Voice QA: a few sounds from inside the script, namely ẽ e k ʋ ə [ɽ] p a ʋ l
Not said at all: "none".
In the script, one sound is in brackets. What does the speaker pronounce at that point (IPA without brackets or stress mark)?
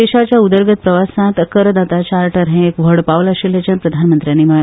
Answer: ɽ